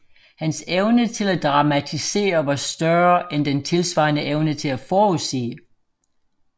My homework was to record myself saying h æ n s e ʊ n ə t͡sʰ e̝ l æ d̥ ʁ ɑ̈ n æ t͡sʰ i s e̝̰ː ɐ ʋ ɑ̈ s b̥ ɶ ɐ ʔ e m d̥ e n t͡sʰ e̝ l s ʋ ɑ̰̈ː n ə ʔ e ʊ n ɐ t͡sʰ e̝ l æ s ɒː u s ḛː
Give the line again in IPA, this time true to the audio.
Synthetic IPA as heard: h æ n s e ʊ n ə t͡sʰ e̝ l æ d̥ ʁ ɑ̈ m æ t͡sʰ i s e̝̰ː ɐ ʋ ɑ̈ s d̥ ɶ ɐ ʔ e n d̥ e n t͡sʰ e̝ l s ʋ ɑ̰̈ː n ə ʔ e ʊ n ə t͡sʰ e̝ l æ f ɒː u s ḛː